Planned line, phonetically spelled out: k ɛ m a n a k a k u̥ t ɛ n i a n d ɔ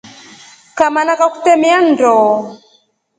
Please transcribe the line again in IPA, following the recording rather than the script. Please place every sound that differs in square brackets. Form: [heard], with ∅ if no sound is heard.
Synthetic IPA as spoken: k [a] m a n a k a k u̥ t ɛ [m] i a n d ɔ